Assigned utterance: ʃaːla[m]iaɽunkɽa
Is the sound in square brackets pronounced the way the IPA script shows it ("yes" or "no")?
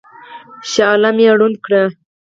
yes